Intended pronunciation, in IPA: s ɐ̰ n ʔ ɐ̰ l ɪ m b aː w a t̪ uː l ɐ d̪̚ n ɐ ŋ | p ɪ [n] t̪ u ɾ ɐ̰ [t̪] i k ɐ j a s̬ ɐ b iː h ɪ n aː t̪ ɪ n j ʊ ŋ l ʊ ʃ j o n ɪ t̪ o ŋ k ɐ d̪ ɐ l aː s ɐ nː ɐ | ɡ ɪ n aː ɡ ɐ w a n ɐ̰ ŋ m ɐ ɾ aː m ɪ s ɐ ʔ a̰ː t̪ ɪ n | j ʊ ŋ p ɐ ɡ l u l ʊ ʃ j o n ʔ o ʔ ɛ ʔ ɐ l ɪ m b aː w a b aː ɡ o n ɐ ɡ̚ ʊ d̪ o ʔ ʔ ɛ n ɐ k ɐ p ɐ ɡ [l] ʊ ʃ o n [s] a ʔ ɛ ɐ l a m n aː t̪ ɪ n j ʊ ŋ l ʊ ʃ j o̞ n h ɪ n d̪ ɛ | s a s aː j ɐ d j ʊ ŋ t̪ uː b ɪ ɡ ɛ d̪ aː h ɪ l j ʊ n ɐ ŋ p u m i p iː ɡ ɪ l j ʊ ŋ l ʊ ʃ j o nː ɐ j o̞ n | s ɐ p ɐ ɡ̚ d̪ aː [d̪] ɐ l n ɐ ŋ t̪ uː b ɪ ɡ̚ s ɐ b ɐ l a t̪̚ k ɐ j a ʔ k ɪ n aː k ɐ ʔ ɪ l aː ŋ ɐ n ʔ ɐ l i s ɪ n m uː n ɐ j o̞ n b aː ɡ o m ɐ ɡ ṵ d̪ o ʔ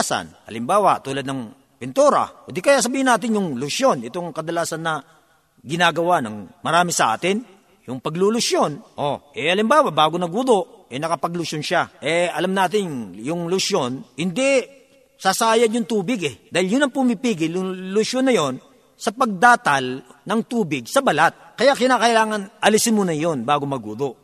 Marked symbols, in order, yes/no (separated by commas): yes, no, yes, no, no